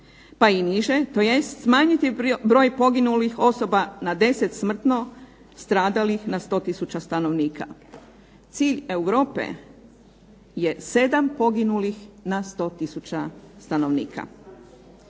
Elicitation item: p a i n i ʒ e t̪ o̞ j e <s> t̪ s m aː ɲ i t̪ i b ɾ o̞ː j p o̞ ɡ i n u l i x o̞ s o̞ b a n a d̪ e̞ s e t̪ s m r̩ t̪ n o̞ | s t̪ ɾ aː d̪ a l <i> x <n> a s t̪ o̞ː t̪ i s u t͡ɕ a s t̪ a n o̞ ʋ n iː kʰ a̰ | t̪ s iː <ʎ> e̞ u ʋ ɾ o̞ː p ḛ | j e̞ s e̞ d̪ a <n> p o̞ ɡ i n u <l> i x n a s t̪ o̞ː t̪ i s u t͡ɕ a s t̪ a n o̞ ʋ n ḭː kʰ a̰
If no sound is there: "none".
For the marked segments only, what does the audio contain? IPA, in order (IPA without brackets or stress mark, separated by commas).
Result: s, i, n, ʎ, m, l